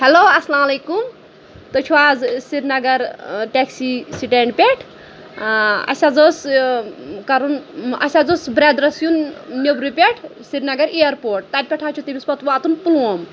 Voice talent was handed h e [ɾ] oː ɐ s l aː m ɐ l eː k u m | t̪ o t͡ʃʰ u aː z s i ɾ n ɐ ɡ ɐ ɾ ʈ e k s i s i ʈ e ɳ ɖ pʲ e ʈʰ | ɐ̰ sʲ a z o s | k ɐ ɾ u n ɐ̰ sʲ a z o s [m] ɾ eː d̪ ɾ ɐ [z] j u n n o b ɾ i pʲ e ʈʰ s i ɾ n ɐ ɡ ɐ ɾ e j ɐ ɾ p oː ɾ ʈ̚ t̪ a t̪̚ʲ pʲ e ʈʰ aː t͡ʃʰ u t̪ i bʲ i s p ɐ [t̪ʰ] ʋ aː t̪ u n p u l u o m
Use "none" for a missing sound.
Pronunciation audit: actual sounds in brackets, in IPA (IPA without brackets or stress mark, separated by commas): l, b, s, t̪